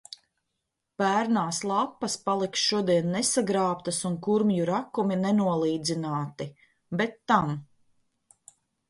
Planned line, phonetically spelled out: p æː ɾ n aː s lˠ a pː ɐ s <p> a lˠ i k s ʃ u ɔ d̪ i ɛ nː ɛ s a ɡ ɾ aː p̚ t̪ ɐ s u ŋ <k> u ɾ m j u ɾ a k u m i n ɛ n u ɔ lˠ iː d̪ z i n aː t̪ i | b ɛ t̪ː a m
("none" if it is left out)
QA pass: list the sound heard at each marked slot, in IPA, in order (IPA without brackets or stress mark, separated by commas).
p, k